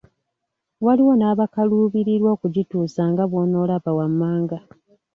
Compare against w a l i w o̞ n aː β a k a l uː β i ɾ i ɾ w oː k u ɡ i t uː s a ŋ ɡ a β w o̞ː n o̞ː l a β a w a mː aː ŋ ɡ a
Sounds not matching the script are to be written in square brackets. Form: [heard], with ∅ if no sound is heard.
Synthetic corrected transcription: w a l i w o̞ n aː β a k a l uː β i ɾ i ɾ w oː k u [ɟ] i t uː s a ŋ ɡ a β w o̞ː n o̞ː l a β a w a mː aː ŋ ɡ a